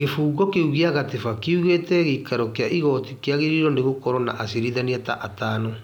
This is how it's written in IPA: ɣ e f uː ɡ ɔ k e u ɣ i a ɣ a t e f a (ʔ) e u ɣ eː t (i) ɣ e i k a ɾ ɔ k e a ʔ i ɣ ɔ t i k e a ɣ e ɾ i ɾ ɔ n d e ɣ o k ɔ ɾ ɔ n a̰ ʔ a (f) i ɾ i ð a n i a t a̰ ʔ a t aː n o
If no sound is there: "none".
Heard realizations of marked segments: k, ɛ, s

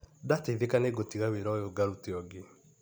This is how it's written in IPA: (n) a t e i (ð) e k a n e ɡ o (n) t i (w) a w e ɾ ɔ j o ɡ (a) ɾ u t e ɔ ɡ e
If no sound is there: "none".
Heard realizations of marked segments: d, ð, none, ɣ, a

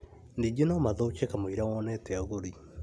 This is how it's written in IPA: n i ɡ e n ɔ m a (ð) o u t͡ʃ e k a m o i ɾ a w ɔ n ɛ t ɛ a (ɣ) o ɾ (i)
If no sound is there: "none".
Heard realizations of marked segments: ð, ɣ, i

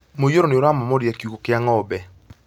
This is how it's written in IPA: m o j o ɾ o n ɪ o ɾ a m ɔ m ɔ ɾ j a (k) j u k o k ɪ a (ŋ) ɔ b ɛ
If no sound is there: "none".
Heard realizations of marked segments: k, ŋ

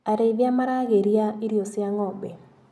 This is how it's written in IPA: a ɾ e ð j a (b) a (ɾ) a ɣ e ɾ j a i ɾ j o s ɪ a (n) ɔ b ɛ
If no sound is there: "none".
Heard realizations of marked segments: m, ɾ, ŋ

